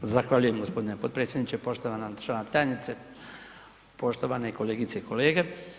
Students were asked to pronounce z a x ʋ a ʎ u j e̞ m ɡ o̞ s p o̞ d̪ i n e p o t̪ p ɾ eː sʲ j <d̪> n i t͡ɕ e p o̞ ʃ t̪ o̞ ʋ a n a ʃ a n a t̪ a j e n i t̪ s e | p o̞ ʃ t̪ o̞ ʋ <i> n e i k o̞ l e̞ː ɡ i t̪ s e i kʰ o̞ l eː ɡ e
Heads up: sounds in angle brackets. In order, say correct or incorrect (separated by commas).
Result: correct, incorrect